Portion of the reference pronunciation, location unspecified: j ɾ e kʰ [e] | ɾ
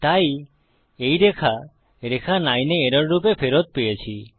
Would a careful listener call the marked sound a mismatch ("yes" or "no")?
yes